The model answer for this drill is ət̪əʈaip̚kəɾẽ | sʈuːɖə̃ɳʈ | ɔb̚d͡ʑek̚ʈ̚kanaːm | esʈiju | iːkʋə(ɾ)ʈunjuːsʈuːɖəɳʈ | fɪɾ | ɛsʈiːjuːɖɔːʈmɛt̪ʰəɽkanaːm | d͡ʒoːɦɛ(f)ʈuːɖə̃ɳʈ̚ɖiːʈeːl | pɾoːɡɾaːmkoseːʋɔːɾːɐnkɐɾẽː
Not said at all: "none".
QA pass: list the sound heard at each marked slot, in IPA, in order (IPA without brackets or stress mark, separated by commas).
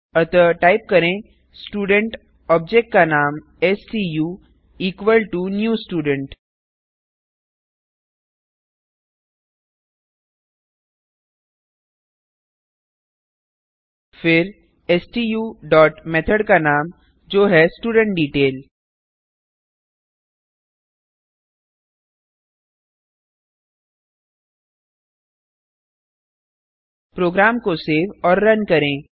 l, s